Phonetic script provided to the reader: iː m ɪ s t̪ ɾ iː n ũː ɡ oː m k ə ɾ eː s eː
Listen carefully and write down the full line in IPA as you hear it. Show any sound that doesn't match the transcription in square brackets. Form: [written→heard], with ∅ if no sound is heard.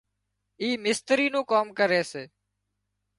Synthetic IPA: iː m ɪ s t̪ ɾ iː n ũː [ɡ→k] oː m k ə ɾ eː s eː